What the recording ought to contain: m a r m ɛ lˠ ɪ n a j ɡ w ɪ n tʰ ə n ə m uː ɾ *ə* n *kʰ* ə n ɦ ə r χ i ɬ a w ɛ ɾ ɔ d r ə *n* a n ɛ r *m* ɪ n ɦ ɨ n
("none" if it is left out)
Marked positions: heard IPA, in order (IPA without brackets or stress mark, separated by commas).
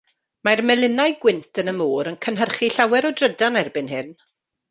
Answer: ə, kʰ, d, b